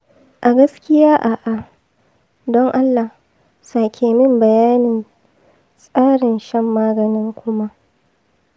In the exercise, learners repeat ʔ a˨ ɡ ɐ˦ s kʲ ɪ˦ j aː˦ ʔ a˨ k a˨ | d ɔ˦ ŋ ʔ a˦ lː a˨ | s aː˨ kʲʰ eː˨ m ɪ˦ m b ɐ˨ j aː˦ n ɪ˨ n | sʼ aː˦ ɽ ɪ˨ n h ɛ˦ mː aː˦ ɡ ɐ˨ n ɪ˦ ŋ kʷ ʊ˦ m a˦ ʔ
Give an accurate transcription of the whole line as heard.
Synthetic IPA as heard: ʔ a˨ ɡ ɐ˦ s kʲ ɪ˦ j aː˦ ʔ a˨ ʔ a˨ | d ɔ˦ ŋ ʔ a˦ lː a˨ | s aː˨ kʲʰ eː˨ m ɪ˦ m b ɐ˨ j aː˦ n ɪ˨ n | sʼ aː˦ ɽ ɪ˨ n ʃ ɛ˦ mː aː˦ ɡ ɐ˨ n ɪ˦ ŋ kʷ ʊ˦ m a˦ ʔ

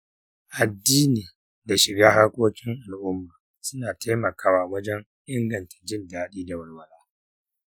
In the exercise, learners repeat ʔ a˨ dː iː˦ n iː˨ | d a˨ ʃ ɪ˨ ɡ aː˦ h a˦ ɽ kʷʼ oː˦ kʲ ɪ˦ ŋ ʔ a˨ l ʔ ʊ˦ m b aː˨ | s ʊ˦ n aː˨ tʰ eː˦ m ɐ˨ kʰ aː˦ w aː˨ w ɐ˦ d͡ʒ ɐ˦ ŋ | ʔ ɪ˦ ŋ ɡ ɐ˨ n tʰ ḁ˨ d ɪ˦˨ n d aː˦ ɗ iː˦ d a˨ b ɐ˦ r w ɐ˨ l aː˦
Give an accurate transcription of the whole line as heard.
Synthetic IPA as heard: ʔ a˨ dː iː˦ n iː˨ | d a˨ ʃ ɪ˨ ɡ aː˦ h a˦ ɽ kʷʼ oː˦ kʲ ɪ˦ ŋ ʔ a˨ l ʔ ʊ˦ m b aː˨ | s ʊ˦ n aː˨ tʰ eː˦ m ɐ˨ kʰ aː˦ w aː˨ w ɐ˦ d͡ʒ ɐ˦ ŋ | ʔ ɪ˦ ŋ ɡ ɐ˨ n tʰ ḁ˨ d͡ʒ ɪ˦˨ n d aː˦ ɗ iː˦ d a˨ w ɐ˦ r w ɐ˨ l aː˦

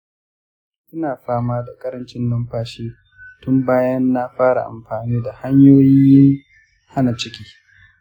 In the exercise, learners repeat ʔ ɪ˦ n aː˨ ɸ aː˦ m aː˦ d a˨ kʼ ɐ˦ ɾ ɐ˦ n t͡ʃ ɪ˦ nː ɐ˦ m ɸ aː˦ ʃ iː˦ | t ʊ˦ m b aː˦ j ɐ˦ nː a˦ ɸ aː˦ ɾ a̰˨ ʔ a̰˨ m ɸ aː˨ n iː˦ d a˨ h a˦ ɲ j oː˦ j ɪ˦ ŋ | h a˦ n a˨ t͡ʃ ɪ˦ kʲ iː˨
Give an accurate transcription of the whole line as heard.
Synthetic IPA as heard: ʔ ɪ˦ n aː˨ ɸ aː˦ m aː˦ d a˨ kʼ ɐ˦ ɾ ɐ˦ n t͡ʃ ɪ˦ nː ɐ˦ m ɸ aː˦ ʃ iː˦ | t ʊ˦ m b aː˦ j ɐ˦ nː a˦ ɸ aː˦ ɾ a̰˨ ʔ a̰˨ m ɸ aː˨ n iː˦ d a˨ h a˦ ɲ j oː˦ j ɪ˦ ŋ | h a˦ n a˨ t͡ʃ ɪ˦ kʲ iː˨

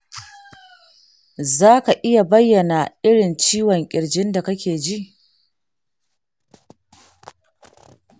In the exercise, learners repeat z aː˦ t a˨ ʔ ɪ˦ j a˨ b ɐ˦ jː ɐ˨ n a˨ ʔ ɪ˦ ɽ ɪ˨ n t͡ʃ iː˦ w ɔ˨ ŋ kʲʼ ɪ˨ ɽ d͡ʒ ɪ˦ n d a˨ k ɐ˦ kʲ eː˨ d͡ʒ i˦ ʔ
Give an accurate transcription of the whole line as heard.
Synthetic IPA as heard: z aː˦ k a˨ ʔ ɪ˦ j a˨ b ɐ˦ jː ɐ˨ n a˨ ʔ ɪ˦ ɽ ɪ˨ n t͡ʃ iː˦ w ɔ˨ ŋ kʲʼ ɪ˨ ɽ d͡ʒ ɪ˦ n d a˨ k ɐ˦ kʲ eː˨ d͡ʒ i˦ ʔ

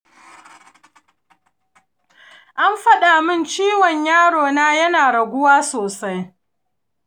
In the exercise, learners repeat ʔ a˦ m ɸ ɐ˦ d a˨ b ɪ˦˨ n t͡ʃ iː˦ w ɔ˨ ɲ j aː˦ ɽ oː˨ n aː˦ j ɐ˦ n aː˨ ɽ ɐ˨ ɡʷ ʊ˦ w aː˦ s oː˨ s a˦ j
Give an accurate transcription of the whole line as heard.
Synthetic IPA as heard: ʔ a˦ m ɸ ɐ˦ ɗ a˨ m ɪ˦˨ n t͡ʃ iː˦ w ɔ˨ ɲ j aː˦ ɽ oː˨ n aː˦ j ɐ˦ n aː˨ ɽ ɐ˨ ɡʷ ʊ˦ w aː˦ s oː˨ s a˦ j

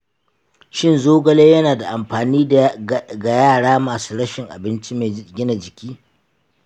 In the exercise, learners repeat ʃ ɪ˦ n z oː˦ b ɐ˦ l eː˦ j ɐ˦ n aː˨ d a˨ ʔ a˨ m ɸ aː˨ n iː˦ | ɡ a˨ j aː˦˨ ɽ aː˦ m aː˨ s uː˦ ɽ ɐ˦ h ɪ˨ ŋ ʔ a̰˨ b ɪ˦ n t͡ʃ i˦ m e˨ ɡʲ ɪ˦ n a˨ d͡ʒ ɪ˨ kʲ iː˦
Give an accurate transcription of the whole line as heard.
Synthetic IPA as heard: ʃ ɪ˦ n z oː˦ ɡ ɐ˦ l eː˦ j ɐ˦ n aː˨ d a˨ ʔ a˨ m ɸ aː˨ n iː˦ | ɡ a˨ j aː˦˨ ɽ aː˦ m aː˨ s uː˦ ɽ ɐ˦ ʃ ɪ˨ ŋ ʔ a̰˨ b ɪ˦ n t͡ʃ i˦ m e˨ ɡʲ ɪ˦ n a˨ d͡ʒ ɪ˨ kʲ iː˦

